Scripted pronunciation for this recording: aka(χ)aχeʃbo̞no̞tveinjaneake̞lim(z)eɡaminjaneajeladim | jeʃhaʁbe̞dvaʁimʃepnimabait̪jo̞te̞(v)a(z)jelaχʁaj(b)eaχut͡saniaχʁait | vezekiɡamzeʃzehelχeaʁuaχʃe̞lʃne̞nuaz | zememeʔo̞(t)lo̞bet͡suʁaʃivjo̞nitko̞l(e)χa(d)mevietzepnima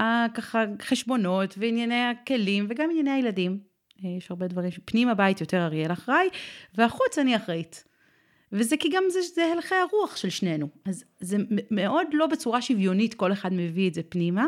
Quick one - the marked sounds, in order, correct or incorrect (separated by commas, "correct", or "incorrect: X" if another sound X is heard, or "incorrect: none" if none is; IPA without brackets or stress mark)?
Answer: correct, incorrect: v, incorrect: ʁ, incorrect: ʁ, incorrect: v, incorrect: d, correct, correct